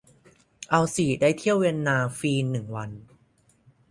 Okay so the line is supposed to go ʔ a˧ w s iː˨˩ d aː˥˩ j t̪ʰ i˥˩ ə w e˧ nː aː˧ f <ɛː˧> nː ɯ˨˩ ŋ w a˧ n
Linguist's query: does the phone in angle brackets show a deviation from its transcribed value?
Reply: yes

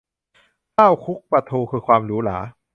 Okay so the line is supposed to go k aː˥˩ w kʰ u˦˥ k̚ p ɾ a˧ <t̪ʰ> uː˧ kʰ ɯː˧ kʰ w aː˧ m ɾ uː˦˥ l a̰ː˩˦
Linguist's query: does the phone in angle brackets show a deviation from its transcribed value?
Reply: no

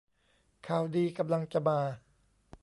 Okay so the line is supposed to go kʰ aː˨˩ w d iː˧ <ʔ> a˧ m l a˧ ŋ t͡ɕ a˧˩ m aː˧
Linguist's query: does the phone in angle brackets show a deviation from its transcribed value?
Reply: yes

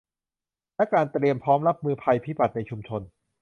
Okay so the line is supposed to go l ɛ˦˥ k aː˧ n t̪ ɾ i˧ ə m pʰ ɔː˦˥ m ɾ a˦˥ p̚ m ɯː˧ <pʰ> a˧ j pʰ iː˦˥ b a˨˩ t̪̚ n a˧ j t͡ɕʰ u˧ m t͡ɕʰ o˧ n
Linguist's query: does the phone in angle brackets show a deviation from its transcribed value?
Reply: no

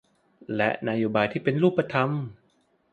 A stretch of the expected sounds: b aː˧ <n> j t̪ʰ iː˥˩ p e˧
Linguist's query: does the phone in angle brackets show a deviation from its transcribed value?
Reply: yes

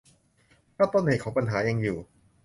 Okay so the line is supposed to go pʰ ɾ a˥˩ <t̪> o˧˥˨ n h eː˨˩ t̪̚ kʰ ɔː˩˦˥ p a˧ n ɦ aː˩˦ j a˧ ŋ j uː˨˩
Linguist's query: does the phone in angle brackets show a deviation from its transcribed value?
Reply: no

